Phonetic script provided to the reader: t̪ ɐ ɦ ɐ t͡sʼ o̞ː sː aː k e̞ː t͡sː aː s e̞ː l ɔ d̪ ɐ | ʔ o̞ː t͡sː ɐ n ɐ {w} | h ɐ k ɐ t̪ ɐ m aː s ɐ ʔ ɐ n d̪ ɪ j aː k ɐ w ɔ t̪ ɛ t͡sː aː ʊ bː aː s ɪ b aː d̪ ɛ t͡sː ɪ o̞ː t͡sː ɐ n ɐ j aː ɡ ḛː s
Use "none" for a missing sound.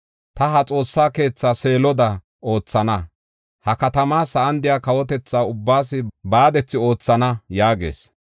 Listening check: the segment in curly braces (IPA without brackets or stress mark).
none